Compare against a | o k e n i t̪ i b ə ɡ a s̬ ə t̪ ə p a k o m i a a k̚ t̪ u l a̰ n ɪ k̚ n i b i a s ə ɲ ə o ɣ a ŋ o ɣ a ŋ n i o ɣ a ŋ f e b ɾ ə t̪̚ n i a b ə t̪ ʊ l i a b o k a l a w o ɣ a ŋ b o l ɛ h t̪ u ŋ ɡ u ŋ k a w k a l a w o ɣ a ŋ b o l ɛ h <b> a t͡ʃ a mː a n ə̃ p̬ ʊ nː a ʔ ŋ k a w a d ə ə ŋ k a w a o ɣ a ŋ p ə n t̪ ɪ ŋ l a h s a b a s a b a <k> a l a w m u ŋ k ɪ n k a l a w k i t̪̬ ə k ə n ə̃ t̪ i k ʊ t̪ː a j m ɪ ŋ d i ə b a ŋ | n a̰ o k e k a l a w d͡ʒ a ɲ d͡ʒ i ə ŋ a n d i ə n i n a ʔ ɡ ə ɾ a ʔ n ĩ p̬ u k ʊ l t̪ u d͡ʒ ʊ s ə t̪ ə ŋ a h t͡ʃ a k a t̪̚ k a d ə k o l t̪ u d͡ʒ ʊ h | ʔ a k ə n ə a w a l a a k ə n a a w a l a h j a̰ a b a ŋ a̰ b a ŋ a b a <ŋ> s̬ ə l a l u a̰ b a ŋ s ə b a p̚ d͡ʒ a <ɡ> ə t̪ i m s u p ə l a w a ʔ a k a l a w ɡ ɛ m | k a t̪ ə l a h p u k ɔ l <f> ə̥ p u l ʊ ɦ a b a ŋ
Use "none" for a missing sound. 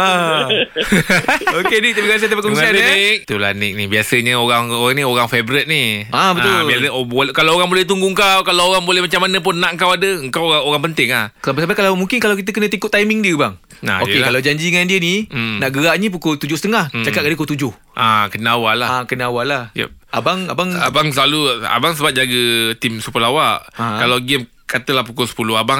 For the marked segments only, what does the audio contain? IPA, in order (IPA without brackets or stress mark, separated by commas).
m, k, ŋ, ɡ, s